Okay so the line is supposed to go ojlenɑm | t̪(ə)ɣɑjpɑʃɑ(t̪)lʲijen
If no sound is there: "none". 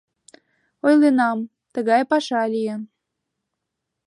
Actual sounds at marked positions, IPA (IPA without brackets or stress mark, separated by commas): ə, none